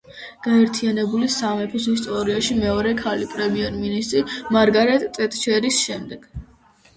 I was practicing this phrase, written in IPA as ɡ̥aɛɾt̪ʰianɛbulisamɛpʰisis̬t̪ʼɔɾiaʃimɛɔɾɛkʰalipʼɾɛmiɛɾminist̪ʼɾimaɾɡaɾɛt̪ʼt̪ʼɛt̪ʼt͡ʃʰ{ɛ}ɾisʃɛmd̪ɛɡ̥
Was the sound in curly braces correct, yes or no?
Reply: yes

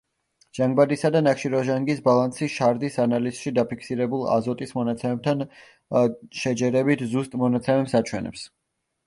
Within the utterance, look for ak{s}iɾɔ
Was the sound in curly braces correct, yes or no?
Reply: no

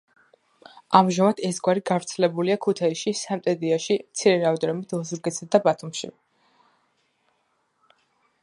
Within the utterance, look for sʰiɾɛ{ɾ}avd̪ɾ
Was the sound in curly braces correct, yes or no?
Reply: yes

